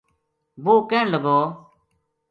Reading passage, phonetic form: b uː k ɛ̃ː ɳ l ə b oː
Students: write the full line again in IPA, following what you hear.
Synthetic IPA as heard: b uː k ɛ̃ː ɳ l ə ɡ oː